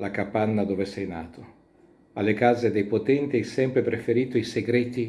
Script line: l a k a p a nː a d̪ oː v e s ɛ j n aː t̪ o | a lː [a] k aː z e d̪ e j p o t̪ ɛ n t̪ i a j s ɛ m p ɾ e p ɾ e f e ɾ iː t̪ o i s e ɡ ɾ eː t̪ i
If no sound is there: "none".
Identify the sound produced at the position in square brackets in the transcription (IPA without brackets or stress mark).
e